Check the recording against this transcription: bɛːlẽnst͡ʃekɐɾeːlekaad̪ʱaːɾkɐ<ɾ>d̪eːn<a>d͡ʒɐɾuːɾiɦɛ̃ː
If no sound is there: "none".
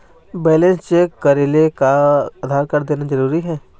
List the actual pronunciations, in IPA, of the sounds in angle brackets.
ɾ, a

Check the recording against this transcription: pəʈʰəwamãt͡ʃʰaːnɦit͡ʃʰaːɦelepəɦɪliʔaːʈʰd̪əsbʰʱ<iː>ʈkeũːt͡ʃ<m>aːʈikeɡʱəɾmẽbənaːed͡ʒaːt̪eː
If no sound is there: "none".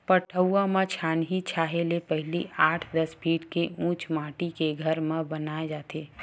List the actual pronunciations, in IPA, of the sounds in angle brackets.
iː, m

